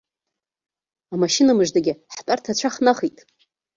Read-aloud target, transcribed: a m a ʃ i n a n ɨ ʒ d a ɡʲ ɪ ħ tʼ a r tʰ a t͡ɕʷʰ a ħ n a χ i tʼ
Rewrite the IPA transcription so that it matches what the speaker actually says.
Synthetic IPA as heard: a m a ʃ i n a m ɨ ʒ d a ɡʲ ɪ ħ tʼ a r tʰ a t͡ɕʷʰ a χ n a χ i tʼ